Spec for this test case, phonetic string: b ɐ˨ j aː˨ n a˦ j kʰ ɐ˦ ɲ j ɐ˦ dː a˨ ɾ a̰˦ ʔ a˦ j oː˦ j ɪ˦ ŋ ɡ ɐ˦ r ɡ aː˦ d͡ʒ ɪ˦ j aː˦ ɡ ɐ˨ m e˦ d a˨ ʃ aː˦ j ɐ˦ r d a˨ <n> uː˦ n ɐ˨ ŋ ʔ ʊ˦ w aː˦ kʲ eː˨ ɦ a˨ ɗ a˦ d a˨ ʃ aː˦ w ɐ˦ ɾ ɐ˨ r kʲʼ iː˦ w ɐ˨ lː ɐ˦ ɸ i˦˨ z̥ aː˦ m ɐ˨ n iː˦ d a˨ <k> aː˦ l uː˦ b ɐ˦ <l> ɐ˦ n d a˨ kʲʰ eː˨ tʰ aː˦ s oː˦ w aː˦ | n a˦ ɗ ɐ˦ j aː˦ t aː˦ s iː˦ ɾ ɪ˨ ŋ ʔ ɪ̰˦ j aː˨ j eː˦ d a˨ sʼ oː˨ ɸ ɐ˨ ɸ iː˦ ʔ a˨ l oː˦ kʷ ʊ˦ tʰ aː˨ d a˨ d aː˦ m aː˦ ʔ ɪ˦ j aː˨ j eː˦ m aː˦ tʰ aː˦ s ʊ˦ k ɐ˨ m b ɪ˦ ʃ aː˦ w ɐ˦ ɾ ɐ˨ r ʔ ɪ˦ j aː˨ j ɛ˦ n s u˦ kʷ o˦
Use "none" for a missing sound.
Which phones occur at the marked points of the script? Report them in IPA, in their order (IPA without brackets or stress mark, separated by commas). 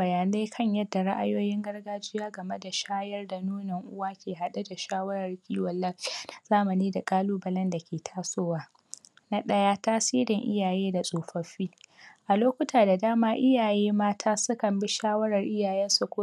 n, kʼ, l